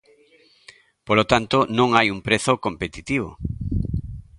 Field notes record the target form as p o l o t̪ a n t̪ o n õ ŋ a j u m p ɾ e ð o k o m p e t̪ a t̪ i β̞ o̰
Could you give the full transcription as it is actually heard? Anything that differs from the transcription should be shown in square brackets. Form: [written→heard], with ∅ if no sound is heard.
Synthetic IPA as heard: p o l o t̪ a n t̪ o n õ ŋ a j u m p ɾ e [ð→θ] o k o m p e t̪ [a→i] t̪ i β̞ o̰